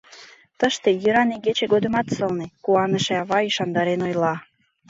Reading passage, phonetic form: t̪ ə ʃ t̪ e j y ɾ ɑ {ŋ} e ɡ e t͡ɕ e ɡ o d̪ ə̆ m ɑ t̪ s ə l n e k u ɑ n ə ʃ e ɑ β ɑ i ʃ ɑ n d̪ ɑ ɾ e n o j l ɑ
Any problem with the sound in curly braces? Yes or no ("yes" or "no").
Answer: yes